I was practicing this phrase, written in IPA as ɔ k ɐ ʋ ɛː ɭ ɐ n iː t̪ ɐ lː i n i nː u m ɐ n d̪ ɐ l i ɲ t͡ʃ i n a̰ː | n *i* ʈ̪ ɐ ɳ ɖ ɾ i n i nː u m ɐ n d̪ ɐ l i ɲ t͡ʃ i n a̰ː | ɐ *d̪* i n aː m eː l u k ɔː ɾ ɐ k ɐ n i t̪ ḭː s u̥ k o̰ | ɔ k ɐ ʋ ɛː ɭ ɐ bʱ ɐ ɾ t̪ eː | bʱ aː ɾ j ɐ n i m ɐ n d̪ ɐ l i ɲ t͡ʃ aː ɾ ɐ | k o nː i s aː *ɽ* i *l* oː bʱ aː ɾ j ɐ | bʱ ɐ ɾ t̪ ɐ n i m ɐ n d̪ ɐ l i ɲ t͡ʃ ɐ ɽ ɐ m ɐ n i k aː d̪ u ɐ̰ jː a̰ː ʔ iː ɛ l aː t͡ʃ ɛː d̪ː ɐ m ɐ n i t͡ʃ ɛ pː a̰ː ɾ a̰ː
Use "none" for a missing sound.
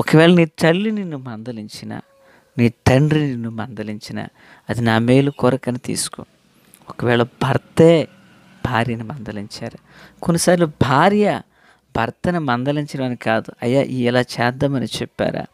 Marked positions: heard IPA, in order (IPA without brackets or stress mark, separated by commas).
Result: iː, d̪, ɾ, l